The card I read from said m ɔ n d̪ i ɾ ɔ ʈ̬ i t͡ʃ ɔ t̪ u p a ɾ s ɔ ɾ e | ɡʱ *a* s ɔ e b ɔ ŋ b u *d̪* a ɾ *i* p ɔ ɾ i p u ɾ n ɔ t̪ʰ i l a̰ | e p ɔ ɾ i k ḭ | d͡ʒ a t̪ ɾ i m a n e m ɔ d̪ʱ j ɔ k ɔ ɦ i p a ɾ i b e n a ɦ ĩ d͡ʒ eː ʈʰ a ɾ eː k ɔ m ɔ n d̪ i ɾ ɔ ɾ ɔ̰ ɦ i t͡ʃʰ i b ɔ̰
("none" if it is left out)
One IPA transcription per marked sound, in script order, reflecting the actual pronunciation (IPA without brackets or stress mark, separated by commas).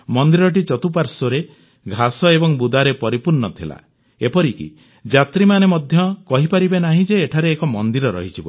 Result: a, d̪, e